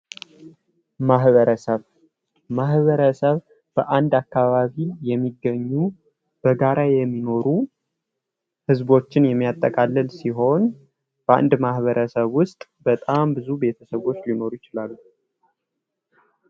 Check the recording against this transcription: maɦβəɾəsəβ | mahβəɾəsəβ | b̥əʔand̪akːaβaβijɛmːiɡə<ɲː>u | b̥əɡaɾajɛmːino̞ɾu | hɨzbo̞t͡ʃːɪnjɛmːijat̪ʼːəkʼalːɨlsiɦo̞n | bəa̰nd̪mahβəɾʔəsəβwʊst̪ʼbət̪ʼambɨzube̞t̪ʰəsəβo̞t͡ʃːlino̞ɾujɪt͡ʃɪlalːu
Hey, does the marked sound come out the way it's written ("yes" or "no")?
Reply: yes